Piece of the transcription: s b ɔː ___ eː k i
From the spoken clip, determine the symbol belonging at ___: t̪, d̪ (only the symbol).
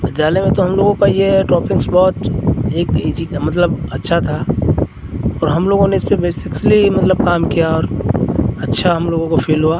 t̪